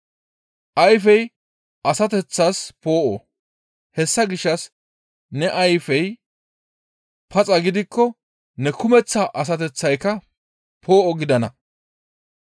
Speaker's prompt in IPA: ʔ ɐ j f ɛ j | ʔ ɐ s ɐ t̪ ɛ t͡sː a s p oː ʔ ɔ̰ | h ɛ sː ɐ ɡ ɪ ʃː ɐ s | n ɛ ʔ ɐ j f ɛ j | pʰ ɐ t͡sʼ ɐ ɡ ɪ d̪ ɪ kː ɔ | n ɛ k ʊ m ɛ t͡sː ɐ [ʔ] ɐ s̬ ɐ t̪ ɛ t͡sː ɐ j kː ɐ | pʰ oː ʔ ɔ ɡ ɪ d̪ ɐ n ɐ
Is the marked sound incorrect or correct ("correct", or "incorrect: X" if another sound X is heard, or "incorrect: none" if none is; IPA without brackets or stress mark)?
correct